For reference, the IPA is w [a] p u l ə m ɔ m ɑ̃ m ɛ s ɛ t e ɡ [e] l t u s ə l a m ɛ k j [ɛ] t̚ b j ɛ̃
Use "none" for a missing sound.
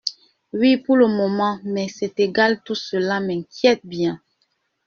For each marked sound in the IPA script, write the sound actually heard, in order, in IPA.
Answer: i, a, ɛ

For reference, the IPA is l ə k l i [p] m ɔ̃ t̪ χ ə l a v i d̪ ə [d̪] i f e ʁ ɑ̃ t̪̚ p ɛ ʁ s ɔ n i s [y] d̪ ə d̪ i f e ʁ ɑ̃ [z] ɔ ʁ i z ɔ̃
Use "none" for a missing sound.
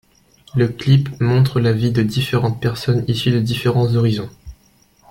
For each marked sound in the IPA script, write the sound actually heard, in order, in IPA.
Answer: p, d̪, y, z

